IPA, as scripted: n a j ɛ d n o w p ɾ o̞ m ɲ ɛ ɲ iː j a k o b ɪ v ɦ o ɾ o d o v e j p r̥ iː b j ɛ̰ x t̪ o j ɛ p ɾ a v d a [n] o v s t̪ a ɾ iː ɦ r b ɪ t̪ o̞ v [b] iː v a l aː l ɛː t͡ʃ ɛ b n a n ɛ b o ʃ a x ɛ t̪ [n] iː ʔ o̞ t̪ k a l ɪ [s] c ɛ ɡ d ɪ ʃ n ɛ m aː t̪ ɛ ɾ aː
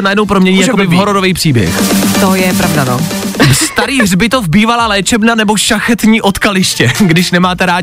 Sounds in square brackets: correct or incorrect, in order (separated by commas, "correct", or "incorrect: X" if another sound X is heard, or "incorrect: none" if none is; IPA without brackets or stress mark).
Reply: correct, correct, incorrect: ɲ, incorrect: ʃ